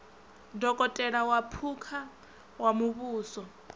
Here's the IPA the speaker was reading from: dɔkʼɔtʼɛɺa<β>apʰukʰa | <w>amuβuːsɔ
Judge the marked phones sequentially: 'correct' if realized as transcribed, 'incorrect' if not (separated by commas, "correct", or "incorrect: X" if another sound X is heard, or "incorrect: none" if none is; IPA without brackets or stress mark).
incorrect: w, correct